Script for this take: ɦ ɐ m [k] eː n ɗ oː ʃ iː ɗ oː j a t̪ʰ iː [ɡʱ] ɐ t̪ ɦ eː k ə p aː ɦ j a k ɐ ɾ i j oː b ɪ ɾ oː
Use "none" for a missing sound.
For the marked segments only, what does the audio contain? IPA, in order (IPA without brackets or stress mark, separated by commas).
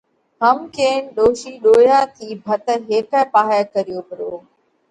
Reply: k, bʱ